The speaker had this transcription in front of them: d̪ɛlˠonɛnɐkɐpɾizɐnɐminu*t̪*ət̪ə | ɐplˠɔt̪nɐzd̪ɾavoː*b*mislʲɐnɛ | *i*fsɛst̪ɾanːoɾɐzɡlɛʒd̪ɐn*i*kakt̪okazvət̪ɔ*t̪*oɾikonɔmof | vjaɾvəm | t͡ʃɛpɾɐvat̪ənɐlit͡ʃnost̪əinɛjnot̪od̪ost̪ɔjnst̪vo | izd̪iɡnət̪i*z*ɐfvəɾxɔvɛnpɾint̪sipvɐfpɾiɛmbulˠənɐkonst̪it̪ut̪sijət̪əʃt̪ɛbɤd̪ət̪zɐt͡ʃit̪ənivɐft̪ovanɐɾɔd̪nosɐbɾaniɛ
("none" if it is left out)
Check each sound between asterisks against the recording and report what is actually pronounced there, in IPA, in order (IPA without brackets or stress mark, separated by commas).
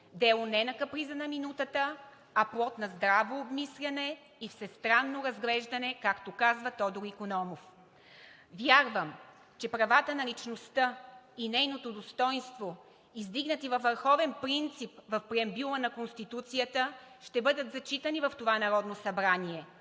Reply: t̪, b, i, ɛ, d̪, v